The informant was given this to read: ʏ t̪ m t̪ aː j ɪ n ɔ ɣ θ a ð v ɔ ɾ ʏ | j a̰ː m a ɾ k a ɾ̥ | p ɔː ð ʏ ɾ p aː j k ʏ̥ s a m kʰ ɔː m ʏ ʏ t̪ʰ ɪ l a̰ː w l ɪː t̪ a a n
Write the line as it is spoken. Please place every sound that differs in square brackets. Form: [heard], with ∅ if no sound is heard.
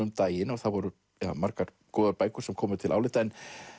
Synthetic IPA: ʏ [∅] m t̪ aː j ɪ n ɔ ɣ θ a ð v ɔ ɾ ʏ | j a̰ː m a ɾ k a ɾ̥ | [k] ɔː ð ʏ ɾ p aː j k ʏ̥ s [ɛ] m kʰ ɔː m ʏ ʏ t̪ʰ ɪ l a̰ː w l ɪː t̪ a [ɛ] n